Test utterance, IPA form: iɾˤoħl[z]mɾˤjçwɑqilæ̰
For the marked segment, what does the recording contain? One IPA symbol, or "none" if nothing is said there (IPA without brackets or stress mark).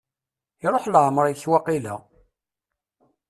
ʕ